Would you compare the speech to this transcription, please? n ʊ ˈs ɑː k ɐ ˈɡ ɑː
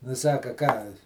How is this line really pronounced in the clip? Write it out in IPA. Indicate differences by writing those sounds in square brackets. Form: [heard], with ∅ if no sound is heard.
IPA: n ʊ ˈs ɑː k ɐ [ˈk] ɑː